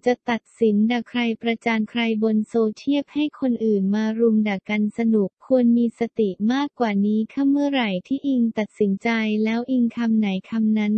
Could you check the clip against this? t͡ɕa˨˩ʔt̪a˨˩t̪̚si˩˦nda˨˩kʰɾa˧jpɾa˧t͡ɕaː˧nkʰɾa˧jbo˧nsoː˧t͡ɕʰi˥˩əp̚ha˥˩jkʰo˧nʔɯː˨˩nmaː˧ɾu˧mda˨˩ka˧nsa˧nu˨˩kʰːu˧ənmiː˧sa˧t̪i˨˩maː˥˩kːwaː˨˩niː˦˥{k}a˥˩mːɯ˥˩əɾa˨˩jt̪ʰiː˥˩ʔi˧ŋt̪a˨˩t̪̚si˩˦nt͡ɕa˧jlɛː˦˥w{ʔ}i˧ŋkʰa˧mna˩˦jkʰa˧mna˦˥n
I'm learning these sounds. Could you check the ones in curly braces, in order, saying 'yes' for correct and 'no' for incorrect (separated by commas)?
no, yes